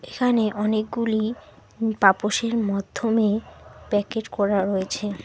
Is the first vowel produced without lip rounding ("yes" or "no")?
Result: yes